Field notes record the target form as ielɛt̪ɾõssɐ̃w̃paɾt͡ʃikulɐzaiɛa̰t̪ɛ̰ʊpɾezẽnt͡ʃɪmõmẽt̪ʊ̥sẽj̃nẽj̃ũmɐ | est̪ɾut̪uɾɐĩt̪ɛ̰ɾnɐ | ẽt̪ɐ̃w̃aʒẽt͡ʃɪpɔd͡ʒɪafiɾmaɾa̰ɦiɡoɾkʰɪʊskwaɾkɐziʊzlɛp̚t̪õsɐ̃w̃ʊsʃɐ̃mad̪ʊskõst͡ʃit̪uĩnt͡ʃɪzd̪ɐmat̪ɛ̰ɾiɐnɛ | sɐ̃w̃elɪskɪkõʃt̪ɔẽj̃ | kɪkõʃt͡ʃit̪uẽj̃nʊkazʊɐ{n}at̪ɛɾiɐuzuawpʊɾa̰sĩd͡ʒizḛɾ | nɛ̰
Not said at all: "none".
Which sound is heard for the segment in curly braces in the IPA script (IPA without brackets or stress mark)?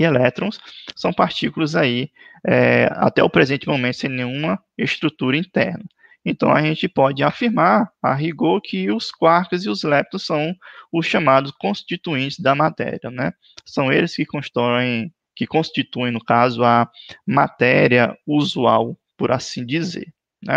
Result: m